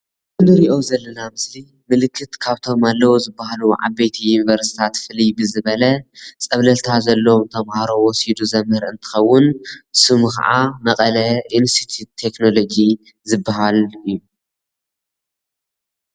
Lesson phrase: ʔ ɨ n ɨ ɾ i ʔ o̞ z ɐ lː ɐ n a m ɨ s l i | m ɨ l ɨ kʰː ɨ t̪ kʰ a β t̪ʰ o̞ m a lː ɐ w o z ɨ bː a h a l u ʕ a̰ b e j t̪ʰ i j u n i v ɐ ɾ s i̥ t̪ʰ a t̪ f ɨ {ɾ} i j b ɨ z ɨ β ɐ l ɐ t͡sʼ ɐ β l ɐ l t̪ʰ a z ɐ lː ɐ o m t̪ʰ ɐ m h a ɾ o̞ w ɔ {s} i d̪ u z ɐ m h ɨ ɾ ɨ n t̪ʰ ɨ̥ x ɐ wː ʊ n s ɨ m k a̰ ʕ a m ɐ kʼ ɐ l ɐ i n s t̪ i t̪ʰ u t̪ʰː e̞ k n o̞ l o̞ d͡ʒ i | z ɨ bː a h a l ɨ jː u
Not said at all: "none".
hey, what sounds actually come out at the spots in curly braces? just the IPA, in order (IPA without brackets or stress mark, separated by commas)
l, s